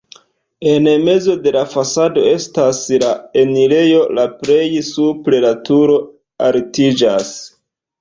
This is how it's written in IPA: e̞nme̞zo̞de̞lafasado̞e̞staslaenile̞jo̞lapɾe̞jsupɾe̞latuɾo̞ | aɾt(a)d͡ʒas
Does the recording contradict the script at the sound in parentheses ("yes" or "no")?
yes